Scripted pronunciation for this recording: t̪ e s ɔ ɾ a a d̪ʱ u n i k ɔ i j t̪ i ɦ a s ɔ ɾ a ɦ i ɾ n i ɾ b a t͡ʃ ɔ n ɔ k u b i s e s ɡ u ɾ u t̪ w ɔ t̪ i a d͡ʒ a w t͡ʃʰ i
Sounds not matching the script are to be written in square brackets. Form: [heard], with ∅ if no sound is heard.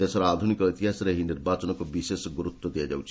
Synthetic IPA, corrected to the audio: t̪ e s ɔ ɾ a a d̪ʱ u n i k ɔ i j t̪ i ɦ a s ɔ ɾ [e] ɦ i [∅] n i ɾ b a t͡ʃ ɔ n ɔ k u b i s e s ɡ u ɾ u t̪ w ɔ [d̪] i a d͡ʒ a w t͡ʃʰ i